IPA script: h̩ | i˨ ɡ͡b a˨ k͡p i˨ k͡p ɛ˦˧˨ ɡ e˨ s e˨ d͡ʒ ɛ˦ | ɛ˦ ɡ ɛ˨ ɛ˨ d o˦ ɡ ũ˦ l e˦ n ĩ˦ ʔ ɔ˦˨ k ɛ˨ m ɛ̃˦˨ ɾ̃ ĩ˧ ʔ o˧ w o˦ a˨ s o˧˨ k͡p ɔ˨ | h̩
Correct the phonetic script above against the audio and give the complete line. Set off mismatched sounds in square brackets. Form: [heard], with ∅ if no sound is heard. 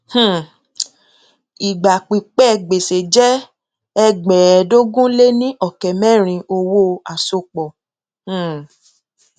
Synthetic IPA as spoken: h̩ | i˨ ɡ͡b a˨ k͡p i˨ k͡p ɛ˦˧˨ [ɡ͡b] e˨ s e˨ d͡ʒ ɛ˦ | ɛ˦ [ɡ͡b] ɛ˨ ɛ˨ d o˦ ɡ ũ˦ l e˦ n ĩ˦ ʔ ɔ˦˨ k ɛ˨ m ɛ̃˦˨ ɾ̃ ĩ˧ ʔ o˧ w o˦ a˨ s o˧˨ k͡p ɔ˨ | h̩